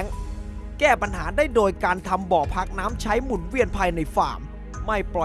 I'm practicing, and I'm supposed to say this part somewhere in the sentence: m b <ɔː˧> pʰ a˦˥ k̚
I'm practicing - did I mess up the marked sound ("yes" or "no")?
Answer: yes